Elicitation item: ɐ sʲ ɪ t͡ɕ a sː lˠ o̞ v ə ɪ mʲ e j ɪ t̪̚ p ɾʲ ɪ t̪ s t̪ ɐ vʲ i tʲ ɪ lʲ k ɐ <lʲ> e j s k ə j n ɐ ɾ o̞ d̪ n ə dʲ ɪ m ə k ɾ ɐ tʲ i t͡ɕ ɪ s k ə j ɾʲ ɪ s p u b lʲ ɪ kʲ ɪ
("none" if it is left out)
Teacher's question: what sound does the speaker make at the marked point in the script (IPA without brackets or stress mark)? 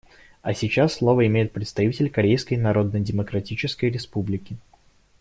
ɾʲ